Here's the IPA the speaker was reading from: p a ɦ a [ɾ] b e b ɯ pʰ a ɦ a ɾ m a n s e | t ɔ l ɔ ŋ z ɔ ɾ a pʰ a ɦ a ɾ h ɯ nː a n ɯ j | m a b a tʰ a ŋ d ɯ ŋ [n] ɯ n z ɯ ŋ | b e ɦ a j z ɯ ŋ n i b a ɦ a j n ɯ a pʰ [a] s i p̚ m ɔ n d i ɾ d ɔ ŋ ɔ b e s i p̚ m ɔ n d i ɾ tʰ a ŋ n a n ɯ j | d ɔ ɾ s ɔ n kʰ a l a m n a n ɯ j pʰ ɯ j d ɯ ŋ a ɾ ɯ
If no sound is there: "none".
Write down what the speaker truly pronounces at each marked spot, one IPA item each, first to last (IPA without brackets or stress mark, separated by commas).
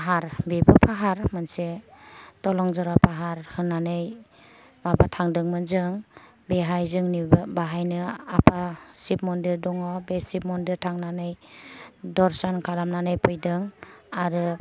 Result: ɾ, m, a